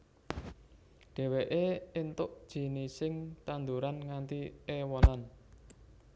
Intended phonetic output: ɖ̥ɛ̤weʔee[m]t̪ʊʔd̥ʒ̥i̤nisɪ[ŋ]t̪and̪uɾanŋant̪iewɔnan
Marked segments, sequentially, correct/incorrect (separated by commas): incorrect, correct